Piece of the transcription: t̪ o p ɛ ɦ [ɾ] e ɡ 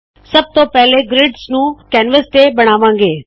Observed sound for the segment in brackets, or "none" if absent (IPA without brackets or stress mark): l